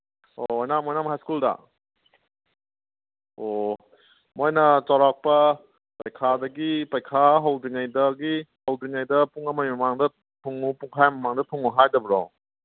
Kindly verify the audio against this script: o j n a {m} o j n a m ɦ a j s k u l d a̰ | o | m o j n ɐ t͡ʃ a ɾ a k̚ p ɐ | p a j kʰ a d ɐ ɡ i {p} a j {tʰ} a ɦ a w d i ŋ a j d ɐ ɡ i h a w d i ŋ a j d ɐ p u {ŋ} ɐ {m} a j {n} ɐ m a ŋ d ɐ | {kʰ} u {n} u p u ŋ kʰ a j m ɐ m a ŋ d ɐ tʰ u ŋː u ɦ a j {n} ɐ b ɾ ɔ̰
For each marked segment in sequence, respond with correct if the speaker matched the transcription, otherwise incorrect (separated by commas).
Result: correct, correct, incorrect, correct, correct, incorrect, incorrect, incorrect, incorrect